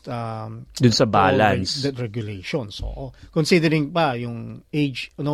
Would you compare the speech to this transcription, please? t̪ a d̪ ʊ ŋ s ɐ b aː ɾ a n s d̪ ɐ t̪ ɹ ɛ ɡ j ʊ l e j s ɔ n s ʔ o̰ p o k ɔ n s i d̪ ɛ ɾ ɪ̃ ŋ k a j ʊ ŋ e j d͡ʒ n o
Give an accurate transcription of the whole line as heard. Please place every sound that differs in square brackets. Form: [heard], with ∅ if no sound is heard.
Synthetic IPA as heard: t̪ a d̪ ʊ [n] s ɐ b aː [l] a n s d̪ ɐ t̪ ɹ ɛ ɡ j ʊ l e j [ʃ] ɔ n s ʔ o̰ [ʔ] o k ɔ n s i d̪ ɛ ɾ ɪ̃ ŋ [p] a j ʊ ŋ e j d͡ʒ n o